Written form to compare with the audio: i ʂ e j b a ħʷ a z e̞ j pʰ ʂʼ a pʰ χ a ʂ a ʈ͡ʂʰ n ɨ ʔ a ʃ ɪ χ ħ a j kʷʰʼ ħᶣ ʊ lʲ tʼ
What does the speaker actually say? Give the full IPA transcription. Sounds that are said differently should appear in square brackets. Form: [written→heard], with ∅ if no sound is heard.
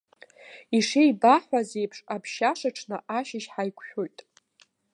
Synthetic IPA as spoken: i ʂ e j b a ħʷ a z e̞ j pʰ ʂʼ a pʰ [χ→ʃ] a ʂ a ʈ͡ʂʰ n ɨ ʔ a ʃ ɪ [χ→ʃ] ħ a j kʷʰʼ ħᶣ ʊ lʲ tʼ